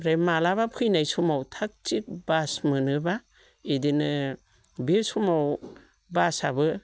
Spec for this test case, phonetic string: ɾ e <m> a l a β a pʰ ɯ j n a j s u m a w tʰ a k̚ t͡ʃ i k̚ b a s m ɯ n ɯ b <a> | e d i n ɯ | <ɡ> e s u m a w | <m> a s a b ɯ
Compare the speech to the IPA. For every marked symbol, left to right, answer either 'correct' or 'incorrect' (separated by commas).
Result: correct, correct, incorrect, incorrect